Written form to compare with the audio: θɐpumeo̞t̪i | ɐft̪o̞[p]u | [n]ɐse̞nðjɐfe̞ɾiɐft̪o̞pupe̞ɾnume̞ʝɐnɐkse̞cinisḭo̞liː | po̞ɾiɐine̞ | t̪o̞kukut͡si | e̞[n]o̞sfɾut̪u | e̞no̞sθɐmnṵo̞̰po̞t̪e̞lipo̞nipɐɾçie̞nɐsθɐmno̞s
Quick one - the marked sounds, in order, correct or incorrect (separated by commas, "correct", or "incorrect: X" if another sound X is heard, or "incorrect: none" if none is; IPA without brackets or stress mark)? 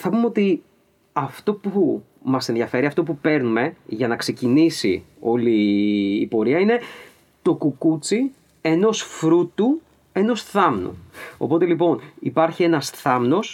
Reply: correct, incorrect: m, correct